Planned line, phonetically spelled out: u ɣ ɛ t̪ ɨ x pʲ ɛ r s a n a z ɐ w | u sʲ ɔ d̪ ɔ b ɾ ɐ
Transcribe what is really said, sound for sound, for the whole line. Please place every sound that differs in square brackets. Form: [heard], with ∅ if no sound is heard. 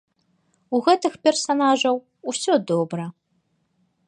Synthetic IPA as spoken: u ɣ ɛ t̪ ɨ x pʲ ɛ r s a n a [ʐ] ɐ w | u sʲ ɔ d̪ ɔ b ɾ ɐ